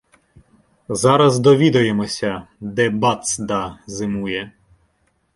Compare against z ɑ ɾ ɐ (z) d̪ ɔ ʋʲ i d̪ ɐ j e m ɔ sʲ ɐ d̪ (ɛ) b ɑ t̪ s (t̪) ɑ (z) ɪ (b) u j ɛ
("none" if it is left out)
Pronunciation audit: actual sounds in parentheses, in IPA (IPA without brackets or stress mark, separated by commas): z, ɛ, d̪, z, m